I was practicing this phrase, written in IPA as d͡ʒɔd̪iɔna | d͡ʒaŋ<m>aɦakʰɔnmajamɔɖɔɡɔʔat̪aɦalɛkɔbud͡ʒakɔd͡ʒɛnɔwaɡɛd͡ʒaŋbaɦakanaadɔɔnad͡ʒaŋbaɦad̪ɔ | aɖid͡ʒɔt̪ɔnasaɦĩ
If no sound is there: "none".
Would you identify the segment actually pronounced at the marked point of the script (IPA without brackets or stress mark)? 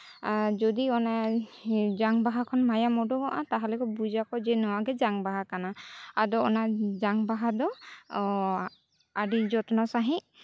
b